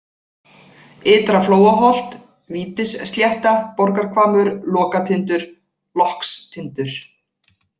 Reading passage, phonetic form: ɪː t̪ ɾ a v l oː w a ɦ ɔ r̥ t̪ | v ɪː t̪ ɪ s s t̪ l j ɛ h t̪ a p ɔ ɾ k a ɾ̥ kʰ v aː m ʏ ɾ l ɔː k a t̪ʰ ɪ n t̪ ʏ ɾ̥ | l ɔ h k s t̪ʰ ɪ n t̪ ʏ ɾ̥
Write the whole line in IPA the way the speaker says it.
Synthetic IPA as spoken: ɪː t̪ ɾ a f l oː w a ɦ ɔ l̥ t̪ | v iː t̪ ɪ s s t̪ l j ɛ h t̪ a p ɔ ɾ k a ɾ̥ kʰ v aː m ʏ ɾ l ɔː k a t̪ʰ ɪ n t̪ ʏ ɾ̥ | l ɔ h k s t̪ʰ ɪ n t̪ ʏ ɾ̥